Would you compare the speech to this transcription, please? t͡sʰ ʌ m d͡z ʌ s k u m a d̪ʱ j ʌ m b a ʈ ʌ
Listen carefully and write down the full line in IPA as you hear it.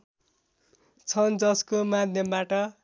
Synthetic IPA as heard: t͡sʰ ʌ n d͡z ʌ s k o m a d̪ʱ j ʌ m b a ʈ ʌ